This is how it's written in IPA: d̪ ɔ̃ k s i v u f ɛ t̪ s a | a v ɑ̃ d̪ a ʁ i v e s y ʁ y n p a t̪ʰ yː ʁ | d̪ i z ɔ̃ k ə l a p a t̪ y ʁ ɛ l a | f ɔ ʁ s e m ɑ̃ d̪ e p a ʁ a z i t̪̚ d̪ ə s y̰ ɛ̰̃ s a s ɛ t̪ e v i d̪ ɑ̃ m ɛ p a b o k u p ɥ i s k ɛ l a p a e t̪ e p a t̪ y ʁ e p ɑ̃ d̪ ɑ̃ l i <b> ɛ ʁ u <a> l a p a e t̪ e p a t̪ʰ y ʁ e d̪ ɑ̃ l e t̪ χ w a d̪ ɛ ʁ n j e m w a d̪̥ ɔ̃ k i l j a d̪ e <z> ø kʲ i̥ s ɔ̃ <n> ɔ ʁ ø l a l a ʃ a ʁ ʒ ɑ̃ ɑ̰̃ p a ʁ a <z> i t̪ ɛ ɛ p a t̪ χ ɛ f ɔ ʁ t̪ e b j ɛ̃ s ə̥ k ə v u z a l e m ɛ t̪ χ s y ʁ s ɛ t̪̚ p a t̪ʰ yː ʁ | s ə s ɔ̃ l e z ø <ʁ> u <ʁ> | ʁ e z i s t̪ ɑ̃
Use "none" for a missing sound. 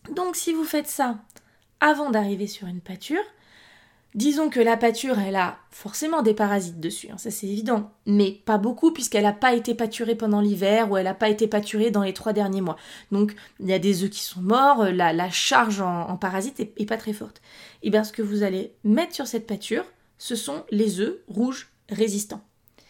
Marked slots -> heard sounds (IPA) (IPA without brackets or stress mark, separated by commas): v, ɛ, z, m, z, ʁ, ʒ